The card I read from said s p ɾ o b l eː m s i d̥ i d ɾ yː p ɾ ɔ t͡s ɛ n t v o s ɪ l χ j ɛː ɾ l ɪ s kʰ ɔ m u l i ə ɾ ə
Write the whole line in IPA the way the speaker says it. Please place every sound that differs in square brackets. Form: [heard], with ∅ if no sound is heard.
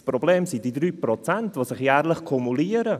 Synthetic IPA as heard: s p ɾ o b l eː m s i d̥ i d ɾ yː p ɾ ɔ t͡s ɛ n t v o s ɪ [∅] χ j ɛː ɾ l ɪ [χ] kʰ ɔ m u l i ə ɾ ə